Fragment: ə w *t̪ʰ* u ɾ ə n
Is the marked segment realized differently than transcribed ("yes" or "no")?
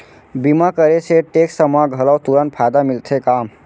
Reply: yes